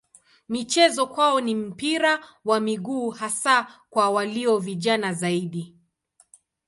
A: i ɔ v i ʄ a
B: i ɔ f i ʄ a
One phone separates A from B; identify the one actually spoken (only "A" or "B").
A